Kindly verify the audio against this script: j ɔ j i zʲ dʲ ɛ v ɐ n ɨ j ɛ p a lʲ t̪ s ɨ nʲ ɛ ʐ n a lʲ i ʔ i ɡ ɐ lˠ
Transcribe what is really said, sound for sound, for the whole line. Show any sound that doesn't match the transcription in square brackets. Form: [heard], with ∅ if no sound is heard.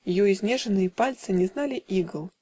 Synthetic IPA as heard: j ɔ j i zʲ [nʲ] ɛ [ʐ] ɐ n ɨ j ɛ p a lʲ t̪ s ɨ nʲ ɛ [z] n a lʲ i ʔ i ɡ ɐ lˠ